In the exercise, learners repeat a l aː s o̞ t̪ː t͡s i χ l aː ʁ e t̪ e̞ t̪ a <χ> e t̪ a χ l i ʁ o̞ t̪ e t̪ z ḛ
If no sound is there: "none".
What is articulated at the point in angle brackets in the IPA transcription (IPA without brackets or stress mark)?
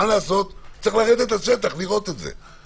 ʃ